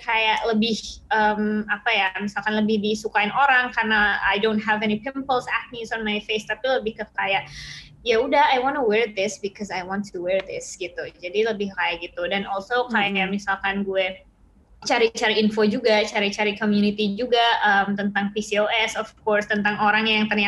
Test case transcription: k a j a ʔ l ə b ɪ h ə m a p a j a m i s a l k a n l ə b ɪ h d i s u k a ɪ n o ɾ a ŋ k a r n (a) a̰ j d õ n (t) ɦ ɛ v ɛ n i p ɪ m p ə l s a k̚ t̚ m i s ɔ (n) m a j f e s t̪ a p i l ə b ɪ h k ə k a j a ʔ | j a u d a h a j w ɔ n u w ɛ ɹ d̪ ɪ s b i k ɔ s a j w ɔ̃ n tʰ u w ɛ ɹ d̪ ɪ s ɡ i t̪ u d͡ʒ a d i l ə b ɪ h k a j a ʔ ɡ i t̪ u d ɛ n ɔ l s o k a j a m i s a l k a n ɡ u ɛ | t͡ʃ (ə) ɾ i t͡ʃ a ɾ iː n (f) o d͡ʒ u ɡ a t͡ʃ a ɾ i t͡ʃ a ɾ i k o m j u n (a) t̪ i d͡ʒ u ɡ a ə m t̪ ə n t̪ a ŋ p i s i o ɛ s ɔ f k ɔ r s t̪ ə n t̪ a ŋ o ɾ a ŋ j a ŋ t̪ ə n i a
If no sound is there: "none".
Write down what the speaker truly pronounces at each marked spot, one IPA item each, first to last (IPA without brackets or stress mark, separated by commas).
a, t, n, a, f, i